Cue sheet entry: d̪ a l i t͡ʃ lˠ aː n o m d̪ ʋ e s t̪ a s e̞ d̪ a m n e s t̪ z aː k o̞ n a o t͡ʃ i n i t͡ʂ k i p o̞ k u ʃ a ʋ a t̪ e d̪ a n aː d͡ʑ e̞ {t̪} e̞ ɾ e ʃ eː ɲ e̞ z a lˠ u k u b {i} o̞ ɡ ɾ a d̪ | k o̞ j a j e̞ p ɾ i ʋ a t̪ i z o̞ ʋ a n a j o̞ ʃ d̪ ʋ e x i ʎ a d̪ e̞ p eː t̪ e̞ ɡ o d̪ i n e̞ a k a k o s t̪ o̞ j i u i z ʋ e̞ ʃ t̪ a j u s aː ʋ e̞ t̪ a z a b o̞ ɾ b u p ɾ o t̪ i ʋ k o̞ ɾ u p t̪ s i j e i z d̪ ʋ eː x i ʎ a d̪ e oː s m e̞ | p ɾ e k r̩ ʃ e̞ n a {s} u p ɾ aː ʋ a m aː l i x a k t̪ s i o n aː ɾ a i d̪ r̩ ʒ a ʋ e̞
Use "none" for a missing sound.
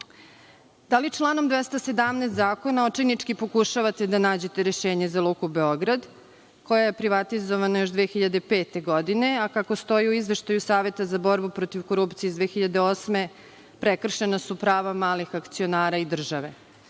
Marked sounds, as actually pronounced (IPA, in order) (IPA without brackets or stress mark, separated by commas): t̪, e, s